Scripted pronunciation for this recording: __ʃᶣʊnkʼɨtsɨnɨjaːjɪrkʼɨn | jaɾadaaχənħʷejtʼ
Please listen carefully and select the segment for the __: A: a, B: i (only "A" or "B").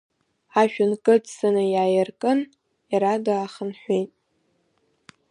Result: A